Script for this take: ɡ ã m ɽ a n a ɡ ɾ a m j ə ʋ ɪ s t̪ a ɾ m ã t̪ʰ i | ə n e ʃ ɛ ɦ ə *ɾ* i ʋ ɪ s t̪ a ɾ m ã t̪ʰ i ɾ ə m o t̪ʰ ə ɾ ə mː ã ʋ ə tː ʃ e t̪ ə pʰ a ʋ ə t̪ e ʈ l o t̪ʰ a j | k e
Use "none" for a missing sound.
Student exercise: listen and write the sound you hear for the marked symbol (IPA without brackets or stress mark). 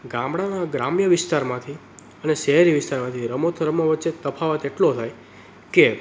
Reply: ɾ